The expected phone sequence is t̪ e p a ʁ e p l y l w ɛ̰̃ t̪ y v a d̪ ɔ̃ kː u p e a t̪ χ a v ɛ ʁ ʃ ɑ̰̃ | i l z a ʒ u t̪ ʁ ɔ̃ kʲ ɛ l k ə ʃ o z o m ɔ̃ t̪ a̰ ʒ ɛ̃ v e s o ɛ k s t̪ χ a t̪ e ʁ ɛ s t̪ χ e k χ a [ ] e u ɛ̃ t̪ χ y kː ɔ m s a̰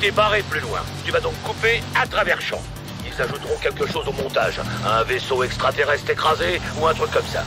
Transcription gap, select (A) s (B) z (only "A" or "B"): B